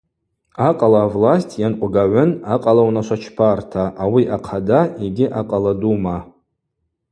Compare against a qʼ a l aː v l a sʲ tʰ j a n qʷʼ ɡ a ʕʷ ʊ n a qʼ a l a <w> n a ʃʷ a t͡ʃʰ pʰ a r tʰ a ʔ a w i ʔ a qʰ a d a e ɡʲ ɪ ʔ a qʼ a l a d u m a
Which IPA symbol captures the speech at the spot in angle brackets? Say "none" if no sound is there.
w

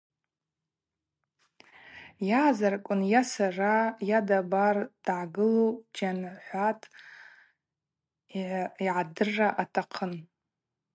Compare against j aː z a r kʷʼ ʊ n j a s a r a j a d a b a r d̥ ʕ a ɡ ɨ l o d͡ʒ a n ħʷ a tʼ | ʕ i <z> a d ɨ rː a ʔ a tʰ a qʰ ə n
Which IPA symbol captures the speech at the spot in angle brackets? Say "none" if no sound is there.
ʕ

